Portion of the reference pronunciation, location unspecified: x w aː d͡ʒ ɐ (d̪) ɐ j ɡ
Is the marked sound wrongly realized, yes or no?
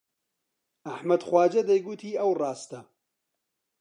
no